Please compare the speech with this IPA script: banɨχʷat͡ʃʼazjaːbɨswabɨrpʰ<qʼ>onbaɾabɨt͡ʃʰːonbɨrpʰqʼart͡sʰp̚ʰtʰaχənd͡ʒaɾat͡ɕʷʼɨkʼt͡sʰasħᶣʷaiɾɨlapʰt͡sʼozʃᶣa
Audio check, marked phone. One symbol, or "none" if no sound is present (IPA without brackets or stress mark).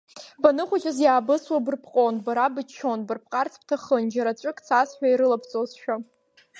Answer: qʼ